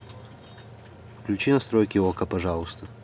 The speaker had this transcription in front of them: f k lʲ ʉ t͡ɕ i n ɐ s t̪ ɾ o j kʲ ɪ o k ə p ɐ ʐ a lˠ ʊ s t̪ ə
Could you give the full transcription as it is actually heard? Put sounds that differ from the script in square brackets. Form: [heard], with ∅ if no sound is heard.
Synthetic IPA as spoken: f k lʲ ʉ t͡ɕ i n ɐ s t̪ ɾ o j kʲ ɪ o k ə p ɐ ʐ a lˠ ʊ s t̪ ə